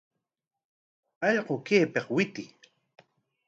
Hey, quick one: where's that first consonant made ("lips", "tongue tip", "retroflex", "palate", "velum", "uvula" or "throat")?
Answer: palate